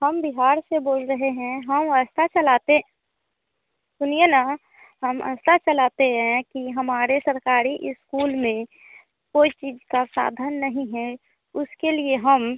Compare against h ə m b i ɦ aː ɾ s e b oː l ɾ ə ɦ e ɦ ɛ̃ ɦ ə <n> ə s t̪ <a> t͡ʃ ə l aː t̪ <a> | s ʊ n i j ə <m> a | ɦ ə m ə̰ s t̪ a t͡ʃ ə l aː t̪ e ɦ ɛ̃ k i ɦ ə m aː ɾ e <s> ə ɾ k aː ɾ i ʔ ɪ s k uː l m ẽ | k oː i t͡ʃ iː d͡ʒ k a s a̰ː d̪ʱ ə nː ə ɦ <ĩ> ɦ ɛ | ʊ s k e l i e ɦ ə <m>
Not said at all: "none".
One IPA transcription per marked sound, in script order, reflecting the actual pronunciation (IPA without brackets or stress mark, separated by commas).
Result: m, a, e, n, s, ĩ, m